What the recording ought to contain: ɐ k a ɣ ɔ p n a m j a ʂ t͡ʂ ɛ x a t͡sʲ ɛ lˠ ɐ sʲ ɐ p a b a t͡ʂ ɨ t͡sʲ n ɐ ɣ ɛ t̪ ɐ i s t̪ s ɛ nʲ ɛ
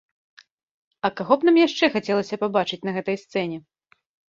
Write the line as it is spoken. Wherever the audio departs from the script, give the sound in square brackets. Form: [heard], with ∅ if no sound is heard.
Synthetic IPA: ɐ k a ɣ ɔ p n a m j a ʂ t͡ʂ ɛ x a t͡sʲ ɛ lˠ ɐ sʲ ɐ p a b a t͡ʂ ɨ t͡sʲ n ɐ ɣ ɛ t̪ ɐ [j] s t̪ s ɛ nʲ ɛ